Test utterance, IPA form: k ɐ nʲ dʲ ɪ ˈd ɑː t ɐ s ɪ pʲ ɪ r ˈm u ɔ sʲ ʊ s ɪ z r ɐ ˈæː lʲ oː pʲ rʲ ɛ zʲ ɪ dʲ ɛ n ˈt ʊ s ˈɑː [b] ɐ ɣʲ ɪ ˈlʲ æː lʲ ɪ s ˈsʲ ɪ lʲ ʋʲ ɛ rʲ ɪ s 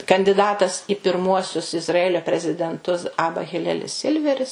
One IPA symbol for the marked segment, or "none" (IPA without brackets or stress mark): b